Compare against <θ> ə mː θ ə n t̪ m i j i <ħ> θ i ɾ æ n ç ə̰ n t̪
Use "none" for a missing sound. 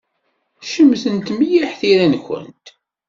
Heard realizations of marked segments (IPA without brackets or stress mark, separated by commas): ʃ, ħ